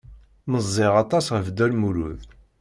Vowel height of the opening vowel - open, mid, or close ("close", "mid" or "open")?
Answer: mid